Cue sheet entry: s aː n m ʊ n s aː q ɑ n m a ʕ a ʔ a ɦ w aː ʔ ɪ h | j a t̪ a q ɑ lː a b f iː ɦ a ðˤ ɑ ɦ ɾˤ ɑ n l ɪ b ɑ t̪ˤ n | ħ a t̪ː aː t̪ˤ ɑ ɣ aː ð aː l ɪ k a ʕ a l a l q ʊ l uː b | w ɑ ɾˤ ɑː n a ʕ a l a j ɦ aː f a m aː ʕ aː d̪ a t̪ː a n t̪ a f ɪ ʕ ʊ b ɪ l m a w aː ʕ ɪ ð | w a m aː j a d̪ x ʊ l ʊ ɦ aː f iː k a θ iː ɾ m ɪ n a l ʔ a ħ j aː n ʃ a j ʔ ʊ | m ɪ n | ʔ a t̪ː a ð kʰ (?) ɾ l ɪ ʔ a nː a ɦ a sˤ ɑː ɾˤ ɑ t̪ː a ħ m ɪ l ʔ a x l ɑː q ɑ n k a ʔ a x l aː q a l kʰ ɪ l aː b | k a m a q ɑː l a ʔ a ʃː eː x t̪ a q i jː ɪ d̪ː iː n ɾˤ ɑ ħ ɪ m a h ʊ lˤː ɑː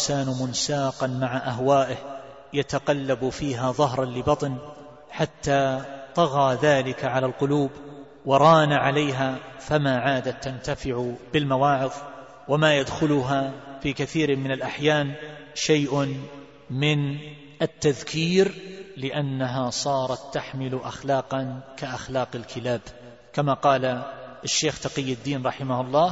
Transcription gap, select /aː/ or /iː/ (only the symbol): iː